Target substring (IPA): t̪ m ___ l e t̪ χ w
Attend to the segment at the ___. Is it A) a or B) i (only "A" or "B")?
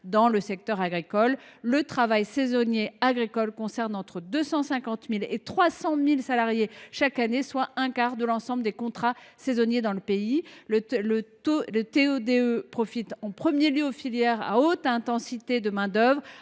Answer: B